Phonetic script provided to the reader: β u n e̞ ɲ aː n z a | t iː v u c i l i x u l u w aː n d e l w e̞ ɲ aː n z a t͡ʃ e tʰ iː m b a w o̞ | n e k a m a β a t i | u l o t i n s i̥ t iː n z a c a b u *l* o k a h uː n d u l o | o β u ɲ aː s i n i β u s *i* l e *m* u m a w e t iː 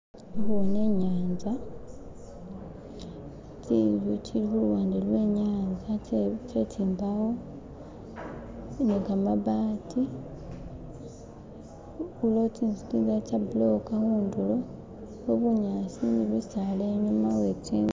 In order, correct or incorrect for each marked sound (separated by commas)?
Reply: correct, incorrect, incorrect